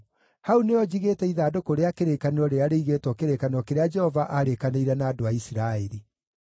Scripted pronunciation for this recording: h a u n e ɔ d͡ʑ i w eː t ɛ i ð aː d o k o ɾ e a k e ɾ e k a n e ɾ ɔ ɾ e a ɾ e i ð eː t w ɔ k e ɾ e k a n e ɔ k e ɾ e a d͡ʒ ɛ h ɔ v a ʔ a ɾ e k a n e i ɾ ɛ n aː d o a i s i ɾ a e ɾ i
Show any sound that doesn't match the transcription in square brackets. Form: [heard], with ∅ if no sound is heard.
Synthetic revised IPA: h a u n e ɔ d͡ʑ i [ɣ] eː t ɛ i ð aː d o k o ɾ e a k e ɾ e k a n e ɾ ɔ ɾ e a ɾ e i [ɣ] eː t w ɔ k e ɾ e k a n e ɔ k e ɾ e a d͡ʒ ɛ h ɔ v a ʔ a ɾ e k a n e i ɾ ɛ n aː d o a i s i ɾ a e ɾ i

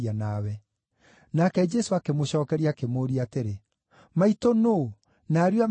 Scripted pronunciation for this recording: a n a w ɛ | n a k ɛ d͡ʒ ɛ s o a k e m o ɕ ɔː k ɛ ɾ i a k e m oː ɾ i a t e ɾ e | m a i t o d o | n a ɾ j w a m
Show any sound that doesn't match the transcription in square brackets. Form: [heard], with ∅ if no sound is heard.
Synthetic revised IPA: a n a w ɛ | n a k ɛ d͡ʒ ɛ s o a k e m o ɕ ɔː k ɛ ɾ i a k e m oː ɾ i a t e ɾ e | m a i t o [n] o | n a ɾ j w a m

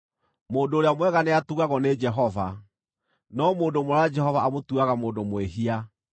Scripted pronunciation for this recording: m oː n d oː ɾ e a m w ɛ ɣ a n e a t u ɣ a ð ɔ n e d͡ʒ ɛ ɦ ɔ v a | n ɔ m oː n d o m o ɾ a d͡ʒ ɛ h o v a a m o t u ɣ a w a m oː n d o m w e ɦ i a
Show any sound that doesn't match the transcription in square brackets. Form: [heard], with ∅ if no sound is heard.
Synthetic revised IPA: m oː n d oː ɾ e a m w ɛ ɣ a n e a t u ɣ a [ɣ] ɔ n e d͡ʒ ɛ ɦ ɔ v a | n ɔ m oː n d o m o ɾ a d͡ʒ ɛ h [ɔ] v a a m o t u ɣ a [ɣ] a m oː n d o m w e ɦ i a

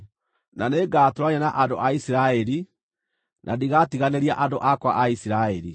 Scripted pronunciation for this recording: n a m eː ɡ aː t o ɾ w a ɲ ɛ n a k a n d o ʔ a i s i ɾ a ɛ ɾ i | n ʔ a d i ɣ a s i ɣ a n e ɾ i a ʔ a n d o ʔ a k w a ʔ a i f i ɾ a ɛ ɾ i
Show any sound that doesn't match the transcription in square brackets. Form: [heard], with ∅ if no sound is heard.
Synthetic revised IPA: n a [n] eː ɡ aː t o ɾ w a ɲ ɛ n a [ʔ] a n d o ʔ a i s i ɾ a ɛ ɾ i | n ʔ a d i ɣ a [t] i ɣ a n e ɾ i a ʔ a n d o ʔ a k w a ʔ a i [s] i ɾ a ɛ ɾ i

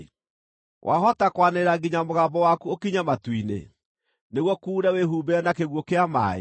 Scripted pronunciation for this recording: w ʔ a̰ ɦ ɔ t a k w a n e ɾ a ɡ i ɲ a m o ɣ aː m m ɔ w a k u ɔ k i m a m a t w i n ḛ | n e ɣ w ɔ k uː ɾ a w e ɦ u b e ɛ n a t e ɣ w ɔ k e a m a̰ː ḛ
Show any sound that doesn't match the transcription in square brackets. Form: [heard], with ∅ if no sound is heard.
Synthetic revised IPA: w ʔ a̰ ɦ ɔ t a k w a n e ɾ a ɡ i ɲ a m o ɣ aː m [b] ɔ w a k u [o] k i [ɲ] a m a t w i n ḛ | n e ɣ w ɔ k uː ɾ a w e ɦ u b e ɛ n a [k] e ɣ w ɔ k e a m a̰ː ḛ

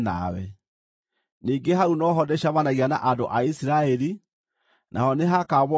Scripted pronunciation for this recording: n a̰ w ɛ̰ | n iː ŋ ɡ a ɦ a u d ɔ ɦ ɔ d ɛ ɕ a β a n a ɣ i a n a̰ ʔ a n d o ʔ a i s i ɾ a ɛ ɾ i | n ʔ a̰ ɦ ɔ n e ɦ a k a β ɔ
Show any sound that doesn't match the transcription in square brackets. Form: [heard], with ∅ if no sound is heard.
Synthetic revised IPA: n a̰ w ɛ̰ | n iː ŋ ɡ [e] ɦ a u [n] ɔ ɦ ɔ d ɛ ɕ a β a n a ɣ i a n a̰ ʔ a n d o ʔ a i s i ɾ a ɛ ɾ i | n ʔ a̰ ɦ ɔ n e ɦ a k a β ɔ

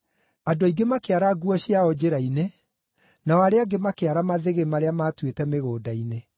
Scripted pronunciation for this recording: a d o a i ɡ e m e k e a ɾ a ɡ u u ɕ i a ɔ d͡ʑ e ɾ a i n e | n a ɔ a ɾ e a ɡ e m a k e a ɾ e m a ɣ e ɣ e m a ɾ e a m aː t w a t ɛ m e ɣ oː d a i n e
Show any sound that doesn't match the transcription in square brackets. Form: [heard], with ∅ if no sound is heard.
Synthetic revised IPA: a d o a i ɡ e m [a] k e a ɾ a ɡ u [ɔ] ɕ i a ɔ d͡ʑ e ɾ a i n e | n a ɔ a ɾ e a ɡ e m a k e a ɾ [a] m a [ð] e ɣ e m a ɾ e a m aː t w [e] t ɛ m e ɣ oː d a i n e

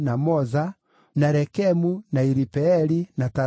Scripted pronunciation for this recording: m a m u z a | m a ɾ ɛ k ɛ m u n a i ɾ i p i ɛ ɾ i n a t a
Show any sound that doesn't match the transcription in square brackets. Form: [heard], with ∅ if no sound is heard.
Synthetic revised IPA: [n] a m [ɔ] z a | [n] a ɾ ɛ k ɛ m u n a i ɾ i p [ɛ] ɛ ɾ i n a t a

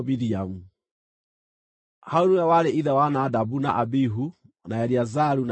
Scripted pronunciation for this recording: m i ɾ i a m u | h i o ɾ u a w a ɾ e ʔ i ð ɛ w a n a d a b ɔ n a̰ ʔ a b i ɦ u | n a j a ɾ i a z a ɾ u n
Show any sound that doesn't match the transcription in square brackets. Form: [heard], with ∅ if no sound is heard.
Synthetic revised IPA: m i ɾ i a m u | h [a] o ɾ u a w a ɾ e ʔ i ð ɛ w a n a d a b [u] n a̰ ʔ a b i ɦ u | n a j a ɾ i a z a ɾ u n

